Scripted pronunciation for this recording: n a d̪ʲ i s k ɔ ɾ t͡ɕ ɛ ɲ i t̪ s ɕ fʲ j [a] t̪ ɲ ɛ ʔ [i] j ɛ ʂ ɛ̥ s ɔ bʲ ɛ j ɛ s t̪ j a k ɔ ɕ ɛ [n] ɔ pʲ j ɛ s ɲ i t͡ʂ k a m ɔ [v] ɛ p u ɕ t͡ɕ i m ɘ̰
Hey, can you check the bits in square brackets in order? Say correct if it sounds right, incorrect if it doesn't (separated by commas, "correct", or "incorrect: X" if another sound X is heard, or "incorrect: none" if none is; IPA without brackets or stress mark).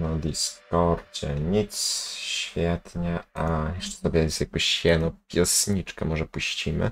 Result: incorrect: ɛ, incorrect: a, correct, incorrect: ʐ